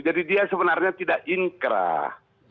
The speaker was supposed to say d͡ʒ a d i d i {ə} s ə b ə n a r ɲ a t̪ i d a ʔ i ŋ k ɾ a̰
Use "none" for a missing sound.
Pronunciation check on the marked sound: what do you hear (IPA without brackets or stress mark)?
a